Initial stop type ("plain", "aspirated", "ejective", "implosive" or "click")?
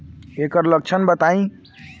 plain